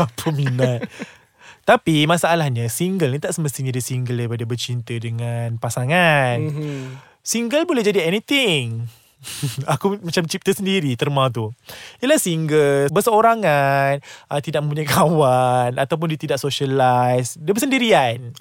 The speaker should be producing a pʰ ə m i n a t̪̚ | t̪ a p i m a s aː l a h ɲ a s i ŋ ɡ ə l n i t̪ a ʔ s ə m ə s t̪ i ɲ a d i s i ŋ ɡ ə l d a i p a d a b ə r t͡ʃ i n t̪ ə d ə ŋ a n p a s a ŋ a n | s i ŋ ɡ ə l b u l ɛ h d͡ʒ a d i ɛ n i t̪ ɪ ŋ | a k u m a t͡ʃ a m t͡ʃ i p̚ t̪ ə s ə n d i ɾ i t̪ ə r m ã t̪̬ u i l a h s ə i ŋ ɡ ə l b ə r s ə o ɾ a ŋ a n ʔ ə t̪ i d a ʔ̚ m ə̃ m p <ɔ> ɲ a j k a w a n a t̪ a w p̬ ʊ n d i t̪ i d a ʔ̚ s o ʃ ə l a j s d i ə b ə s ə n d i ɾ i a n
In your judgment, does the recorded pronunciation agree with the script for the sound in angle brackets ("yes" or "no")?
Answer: no